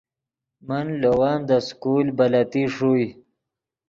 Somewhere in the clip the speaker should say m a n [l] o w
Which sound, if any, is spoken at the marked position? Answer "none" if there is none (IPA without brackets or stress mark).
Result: l